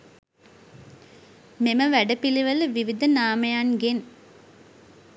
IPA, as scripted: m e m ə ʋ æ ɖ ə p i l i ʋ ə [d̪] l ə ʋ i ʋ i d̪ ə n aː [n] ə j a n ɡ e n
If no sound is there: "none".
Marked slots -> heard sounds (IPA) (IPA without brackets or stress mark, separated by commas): none, m